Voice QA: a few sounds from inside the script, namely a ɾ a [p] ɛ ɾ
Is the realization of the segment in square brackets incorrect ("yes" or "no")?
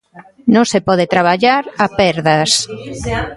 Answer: no